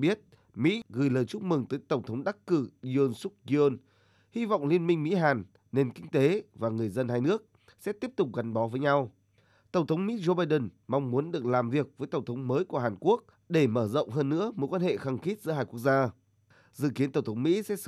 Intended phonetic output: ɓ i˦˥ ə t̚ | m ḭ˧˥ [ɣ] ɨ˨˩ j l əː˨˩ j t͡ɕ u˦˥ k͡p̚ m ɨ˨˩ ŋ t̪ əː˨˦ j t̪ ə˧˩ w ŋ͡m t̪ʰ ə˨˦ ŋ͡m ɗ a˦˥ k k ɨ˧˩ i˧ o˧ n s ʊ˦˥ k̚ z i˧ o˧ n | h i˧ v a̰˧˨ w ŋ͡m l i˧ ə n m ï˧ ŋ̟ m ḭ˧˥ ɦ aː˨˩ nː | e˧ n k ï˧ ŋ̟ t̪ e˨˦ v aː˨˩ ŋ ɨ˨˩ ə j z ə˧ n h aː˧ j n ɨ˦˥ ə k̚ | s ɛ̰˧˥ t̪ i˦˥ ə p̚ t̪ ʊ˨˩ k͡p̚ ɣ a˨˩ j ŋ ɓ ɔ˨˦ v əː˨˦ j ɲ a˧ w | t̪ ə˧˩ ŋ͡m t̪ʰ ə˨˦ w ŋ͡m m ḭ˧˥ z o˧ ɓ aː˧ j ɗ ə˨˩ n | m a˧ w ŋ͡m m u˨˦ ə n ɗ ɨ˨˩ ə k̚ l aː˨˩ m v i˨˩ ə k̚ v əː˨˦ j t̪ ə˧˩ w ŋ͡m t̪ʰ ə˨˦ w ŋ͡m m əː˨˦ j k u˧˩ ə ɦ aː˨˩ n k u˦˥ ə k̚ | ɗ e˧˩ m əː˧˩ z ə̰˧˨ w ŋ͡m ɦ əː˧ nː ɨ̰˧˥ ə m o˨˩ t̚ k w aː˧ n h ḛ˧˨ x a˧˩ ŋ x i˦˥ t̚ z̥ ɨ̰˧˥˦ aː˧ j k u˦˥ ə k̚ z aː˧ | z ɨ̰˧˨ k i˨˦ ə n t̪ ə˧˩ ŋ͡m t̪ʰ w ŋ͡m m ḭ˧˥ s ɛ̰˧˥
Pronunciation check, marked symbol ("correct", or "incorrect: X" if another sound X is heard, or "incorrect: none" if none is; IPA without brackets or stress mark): correct